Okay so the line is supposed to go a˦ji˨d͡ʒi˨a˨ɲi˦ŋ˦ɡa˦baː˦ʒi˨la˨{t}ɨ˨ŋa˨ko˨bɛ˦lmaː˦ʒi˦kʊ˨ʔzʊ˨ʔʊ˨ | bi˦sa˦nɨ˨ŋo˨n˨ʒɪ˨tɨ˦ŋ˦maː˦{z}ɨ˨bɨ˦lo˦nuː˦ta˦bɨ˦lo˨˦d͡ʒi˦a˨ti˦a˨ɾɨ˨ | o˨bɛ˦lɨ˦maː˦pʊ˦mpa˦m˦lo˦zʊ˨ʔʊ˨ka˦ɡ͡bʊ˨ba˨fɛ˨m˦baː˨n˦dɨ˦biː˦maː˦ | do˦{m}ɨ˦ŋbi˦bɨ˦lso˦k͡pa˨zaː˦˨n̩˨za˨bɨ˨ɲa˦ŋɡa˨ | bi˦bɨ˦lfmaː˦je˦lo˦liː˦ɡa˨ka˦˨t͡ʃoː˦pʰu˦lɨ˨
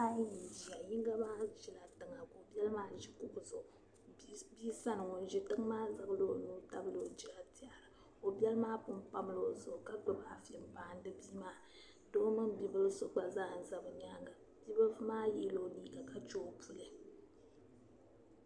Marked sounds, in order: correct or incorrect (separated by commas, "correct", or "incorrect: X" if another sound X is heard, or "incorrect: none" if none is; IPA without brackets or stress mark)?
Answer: correct, correct, correct